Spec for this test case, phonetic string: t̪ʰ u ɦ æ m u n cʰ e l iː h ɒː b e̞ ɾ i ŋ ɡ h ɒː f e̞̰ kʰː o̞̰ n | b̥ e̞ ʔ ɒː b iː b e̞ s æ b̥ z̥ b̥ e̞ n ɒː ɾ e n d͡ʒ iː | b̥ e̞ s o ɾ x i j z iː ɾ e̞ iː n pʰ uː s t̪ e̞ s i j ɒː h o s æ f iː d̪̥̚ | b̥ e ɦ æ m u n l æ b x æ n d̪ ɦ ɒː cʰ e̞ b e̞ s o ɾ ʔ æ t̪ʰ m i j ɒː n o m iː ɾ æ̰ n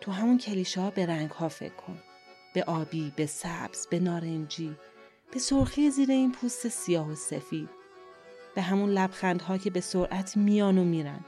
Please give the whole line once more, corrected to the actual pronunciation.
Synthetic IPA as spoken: t̪ʰ u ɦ æ m u n cʰ e l iː ʃ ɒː b e̞ ɾ æ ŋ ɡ h ɒː f e̞̰ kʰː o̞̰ n | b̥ e̞ ʔ ɒː b iː b e̞ s æ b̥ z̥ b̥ e̞ n ɒː ɾ e n d͡ʒ iː | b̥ e̞ s o ɾ x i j z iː ɾ e̞ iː n pʰ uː s t̪ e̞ s i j ɒː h o s e f iː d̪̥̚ | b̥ e ɦ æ m u n l æ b x æ n d̪ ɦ ɒː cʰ e̞ b e̞ s o ɾ ʔ æ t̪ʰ m i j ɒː n o m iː ɾ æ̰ n